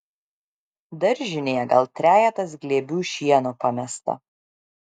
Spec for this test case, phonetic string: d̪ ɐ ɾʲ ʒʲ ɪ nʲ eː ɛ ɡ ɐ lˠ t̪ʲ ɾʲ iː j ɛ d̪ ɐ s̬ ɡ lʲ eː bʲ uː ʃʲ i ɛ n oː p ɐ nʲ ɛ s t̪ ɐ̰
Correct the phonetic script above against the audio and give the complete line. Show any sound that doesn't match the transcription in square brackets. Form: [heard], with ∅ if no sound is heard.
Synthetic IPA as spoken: d̪ ɐ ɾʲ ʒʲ ɪ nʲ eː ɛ ɡ ɐ lˠ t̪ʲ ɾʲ [æː] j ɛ [t̪] ɐ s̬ ɡ lʲ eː bʲ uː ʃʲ i ɛ n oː p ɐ [mʲ] ɛ s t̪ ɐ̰